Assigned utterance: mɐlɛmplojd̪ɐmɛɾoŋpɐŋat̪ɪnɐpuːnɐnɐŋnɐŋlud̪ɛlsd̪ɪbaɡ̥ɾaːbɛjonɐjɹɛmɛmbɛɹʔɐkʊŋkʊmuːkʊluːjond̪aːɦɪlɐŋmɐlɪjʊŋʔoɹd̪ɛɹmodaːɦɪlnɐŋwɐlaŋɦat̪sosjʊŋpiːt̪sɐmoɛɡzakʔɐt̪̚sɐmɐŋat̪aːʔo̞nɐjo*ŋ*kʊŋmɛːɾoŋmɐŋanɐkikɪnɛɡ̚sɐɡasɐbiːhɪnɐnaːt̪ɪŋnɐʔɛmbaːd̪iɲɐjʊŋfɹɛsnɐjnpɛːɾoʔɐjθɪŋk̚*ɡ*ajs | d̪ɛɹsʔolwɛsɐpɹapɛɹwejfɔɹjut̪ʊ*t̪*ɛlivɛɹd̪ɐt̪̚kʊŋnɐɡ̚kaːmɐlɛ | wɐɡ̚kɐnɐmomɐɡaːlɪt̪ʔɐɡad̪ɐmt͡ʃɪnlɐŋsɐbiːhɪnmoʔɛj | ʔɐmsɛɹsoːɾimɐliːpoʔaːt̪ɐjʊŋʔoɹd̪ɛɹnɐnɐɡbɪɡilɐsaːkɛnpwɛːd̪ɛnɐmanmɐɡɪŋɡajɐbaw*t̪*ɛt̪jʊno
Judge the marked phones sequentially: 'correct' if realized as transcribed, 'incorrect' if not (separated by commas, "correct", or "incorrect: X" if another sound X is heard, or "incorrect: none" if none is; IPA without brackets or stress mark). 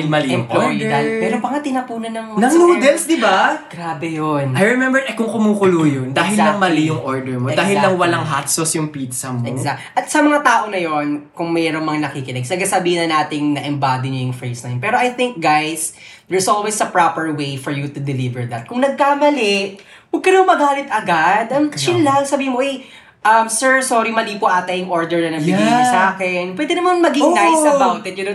incorrect: n, correct, incorrect: d̪, correct